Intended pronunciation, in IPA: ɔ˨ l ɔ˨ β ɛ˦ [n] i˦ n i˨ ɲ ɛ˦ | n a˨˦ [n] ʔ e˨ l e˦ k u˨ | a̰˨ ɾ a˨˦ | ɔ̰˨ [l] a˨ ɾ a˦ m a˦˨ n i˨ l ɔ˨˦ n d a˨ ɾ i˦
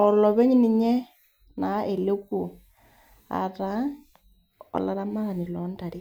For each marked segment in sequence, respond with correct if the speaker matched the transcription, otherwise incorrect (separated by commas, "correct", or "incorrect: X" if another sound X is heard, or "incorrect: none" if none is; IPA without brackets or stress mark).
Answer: incorrect: ɲ, incorrect: none, correct